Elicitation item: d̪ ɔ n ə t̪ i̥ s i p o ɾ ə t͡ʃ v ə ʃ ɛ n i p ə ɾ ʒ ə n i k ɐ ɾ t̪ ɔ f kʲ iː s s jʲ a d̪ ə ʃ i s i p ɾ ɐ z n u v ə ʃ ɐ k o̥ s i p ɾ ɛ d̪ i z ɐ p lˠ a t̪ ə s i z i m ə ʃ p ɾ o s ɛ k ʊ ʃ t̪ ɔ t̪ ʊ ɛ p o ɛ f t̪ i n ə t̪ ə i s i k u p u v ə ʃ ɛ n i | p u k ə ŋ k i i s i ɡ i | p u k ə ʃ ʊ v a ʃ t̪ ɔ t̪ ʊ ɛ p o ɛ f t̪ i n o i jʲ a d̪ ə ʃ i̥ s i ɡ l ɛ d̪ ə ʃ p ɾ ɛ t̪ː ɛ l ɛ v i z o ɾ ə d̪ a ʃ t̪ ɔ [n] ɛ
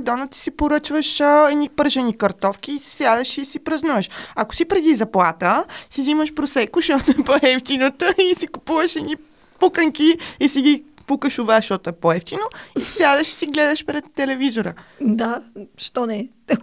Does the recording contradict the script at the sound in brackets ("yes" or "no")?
no